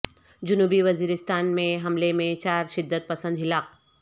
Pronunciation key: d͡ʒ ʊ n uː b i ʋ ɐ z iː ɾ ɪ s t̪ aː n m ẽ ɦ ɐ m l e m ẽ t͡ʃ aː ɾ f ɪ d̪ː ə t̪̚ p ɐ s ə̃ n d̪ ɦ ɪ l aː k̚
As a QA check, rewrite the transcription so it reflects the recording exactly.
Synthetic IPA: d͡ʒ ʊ n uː b i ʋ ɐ z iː ɾ ɪ s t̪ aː n m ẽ ɦ ɐ m l e m ẽ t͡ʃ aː ɾ ʃ ɪ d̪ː ə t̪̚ p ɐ s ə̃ n d̪ ɦ ɪ l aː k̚